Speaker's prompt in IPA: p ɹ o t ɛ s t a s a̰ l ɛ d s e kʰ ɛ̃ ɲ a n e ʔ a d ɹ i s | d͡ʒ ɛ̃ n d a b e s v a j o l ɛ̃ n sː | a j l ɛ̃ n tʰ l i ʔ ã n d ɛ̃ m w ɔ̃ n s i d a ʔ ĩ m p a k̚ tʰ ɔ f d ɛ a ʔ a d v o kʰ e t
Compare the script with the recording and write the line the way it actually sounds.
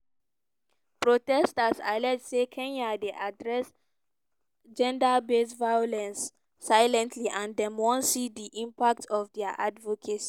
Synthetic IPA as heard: p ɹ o t ɛ s t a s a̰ l ɛ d s e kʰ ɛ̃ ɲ a d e ʔ a d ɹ ɛ s | d͡ʒ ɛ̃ n d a b e s v a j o l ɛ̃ n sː | a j l ɛ̃ n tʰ l i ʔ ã n d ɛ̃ m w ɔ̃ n s i d i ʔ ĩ m p a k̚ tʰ ɔ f d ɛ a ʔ a d v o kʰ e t